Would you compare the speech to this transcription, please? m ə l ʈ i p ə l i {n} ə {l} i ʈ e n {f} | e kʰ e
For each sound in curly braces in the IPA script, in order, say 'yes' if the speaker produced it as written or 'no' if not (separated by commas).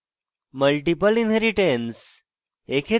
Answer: yes, no, no